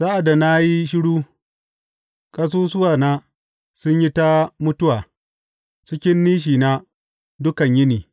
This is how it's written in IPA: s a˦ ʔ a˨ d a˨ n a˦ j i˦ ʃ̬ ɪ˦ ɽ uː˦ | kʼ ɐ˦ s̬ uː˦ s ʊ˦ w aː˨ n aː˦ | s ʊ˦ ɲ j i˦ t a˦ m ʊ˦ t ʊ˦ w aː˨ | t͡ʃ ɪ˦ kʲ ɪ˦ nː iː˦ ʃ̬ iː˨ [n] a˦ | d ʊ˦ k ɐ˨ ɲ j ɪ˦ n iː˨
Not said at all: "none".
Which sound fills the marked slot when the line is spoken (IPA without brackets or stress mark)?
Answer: n